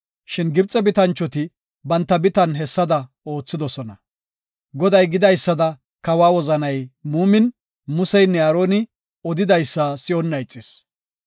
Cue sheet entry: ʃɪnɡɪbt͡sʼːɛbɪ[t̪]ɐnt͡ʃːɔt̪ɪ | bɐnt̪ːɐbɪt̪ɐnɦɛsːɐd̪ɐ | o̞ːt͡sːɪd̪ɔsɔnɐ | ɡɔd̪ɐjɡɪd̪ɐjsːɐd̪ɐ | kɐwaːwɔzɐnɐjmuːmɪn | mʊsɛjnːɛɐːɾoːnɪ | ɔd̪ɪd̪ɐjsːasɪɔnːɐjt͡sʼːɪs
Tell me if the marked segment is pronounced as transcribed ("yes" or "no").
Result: yes